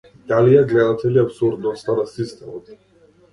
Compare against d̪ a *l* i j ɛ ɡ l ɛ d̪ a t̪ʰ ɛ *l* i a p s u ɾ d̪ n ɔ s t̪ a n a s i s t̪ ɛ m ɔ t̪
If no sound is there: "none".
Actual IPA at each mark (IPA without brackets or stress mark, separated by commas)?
l, l